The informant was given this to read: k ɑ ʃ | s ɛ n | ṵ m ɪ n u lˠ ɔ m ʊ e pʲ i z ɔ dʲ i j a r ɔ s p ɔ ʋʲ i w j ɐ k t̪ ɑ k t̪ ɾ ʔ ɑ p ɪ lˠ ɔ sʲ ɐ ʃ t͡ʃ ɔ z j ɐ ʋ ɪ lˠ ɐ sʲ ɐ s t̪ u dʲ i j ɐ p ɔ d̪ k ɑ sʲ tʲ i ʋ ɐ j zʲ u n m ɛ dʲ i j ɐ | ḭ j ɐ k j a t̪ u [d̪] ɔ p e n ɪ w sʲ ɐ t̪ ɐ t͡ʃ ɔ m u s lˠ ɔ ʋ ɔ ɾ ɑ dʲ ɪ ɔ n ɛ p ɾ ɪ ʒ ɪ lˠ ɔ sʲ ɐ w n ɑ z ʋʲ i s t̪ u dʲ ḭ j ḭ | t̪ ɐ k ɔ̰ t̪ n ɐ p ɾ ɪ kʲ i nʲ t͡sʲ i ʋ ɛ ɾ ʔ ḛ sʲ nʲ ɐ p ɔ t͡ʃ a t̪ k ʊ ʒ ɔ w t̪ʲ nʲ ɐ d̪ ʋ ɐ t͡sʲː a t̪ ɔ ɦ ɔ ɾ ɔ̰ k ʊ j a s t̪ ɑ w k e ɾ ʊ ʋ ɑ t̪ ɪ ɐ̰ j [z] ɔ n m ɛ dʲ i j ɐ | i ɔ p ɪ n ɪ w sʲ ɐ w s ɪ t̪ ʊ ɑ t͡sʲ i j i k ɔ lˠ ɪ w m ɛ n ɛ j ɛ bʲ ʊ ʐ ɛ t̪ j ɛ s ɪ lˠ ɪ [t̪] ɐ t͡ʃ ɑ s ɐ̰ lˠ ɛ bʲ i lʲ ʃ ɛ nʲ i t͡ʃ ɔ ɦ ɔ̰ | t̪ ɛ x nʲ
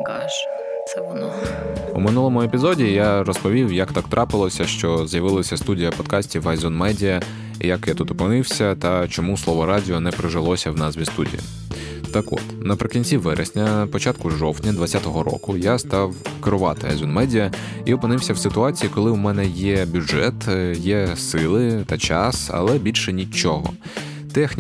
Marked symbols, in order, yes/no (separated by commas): no, yes, yes